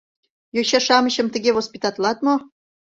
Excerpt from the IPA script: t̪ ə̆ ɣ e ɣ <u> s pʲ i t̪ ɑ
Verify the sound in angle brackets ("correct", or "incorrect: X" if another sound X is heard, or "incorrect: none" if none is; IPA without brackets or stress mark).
incorrect: o